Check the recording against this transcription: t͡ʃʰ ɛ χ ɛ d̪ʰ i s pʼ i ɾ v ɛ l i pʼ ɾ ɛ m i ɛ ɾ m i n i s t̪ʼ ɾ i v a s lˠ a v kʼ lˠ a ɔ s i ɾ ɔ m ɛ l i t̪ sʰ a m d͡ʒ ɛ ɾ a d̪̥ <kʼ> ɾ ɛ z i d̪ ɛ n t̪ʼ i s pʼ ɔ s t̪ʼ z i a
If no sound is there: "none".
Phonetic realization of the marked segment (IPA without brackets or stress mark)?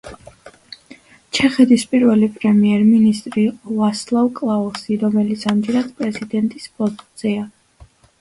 pʼ